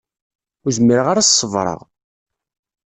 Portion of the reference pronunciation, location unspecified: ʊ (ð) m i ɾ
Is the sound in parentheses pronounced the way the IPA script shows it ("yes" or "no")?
no